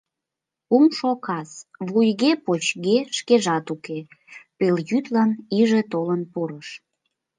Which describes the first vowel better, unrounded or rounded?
rounded